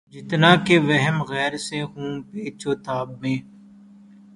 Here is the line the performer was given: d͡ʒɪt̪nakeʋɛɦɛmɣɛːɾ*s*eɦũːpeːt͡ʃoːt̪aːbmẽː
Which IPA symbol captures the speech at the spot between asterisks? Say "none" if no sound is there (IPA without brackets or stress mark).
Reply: s